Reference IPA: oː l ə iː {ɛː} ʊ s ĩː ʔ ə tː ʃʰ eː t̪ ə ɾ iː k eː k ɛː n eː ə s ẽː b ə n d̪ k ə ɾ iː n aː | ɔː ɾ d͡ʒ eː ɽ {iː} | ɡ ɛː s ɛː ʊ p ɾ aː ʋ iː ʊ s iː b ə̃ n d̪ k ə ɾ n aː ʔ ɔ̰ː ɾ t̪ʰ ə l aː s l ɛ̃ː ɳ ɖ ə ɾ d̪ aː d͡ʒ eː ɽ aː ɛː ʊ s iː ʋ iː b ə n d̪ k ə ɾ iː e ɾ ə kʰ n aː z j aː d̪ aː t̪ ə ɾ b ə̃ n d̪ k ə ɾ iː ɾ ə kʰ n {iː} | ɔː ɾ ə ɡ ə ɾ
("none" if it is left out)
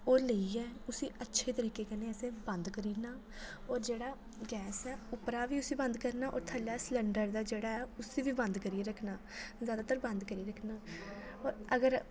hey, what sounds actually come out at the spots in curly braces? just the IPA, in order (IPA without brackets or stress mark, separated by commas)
ɛː, aː, aː